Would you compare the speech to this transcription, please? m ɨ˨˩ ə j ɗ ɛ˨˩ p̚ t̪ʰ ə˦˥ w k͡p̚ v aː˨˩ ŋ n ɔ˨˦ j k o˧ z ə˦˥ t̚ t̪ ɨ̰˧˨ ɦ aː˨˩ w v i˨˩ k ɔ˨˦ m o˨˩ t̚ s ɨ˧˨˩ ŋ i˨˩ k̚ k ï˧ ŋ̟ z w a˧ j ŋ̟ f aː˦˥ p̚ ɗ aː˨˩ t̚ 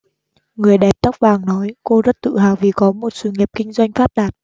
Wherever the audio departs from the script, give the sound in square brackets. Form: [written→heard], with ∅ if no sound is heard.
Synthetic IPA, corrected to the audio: [m→ŋ] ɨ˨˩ ə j ɗ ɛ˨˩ p̚ [t̪ʰ→t̪] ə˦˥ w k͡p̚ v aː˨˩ ŋ n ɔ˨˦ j k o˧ z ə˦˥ t̚ t̪ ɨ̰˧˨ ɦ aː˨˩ w v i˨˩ k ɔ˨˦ m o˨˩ t̚ s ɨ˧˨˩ ŋ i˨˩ [k̚→p̚] k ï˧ ŋ̟ z w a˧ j ŋ̟ f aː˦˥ p̚ ɗ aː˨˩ t̚